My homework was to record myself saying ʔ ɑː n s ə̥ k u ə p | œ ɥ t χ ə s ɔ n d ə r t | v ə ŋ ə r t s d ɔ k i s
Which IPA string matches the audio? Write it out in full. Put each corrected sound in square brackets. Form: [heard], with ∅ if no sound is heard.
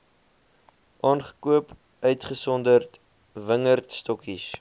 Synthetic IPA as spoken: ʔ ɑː n [χ] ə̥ k u ə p | œ ɥ t χ ə s ɔ n d ə r t | v ə ŋ ə r t s [t] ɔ k i s